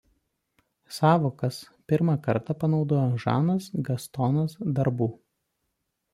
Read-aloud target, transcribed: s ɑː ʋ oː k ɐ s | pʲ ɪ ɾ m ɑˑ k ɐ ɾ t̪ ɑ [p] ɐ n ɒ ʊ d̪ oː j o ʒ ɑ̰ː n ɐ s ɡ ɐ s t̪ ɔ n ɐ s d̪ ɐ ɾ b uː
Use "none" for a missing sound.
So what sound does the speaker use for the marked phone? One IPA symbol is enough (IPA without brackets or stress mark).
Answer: p